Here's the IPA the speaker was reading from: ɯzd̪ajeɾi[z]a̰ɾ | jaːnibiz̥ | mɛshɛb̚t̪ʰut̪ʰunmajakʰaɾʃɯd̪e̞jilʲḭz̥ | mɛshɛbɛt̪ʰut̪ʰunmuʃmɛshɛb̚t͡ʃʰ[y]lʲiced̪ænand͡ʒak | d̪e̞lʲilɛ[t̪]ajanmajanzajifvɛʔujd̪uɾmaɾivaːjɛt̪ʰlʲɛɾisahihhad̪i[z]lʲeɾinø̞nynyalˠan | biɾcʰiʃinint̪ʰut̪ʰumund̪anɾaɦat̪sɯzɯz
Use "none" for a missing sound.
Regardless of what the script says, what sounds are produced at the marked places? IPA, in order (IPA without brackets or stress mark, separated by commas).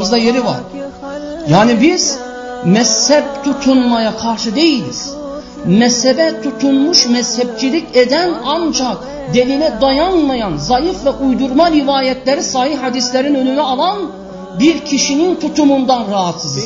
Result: v, i, d̪, s